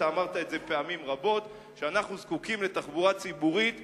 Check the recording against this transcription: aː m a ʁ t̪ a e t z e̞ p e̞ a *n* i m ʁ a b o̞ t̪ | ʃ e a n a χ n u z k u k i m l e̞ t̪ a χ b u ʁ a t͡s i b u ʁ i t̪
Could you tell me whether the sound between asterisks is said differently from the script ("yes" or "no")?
yes